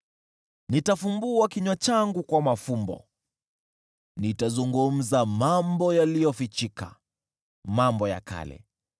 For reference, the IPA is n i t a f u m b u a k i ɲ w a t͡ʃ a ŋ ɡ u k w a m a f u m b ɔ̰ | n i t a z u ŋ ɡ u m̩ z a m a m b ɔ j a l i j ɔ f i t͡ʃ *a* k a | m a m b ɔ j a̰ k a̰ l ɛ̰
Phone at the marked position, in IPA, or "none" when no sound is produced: i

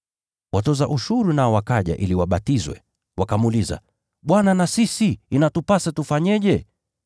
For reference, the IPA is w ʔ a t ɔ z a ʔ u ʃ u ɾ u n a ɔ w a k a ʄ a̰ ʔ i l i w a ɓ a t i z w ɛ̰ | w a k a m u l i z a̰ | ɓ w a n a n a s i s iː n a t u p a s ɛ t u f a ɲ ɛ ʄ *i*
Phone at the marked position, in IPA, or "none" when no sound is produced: ɛ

